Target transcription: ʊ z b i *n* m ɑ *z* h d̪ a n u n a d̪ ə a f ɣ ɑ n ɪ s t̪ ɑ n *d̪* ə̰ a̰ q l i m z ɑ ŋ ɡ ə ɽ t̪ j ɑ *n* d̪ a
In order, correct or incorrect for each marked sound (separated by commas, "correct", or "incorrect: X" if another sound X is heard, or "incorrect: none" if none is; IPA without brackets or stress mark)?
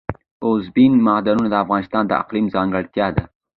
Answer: correct, incorrect: none, correct, incorrect: none